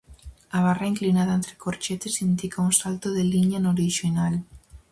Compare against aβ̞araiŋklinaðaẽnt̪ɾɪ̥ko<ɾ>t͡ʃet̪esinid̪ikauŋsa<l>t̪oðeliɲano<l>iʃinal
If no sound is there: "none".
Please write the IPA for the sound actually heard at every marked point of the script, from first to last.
ɾ, l, ɾ

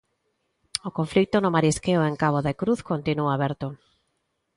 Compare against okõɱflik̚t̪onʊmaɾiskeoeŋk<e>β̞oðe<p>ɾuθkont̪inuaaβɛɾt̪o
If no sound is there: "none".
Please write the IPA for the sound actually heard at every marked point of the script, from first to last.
a, k

